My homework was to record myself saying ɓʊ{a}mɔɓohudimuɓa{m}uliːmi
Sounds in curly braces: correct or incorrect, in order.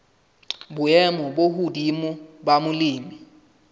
incorrect: ɛ, correct

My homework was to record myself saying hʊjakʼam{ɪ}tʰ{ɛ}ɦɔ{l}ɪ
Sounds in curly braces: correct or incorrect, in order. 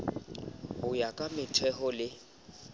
correct, correct, correct

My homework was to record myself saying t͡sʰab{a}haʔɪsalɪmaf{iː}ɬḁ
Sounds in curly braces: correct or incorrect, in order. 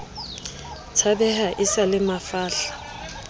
incorrect: ɛ, incorrect: aː

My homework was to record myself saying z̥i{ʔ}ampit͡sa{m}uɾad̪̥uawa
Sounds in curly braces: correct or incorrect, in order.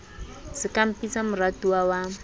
incorrect: k, correct

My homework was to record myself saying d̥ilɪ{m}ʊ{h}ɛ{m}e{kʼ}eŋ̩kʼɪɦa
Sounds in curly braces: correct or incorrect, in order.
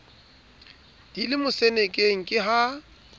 correct, incorrect: s, incorrect: n, correct

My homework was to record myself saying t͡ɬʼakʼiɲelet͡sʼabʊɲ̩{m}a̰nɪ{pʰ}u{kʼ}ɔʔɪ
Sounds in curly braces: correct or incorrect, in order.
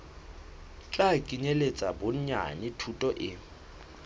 incorrect: ɲ, incorrect: tʰ, incorrect: tʼ

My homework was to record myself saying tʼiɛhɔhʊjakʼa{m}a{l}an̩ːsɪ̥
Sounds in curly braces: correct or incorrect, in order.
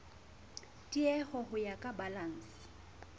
incorrect: b, correct

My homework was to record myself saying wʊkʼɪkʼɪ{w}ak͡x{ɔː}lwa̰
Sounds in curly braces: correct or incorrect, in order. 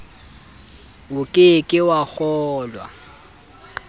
correct, correct

